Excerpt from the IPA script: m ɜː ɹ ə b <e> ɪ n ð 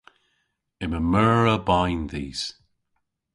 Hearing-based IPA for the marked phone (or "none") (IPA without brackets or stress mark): a